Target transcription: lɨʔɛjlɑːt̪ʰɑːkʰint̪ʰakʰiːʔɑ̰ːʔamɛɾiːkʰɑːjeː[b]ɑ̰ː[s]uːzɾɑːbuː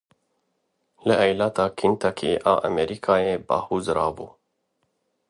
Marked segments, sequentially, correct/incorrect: correct, incorrect: h

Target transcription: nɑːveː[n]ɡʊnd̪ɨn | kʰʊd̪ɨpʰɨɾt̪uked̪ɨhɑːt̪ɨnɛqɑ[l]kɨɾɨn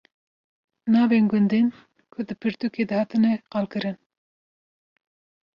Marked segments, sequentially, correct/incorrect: correct, correct

